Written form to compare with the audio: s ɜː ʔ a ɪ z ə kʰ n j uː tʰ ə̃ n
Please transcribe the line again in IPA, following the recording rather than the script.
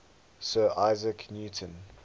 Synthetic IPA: s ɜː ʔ a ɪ z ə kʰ n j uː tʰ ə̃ n